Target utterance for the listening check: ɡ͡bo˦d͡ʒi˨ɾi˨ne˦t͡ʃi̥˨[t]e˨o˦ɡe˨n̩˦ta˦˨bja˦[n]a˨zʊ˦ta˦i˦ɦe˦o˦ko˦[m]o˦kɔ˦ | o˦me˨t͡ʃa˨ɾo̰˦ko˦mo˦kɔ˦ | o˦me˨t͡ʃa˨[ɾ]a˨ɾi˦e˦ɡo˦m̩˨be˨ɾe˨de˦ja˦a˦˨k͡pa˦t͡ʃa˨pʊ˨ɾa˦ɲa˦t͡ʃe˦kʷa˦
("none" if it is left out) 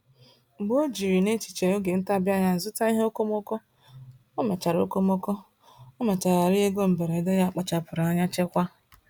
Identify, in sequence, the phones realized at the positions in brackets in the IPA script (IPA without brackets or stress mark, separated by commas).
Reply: t͡ʃ, ɲ, m, ɾ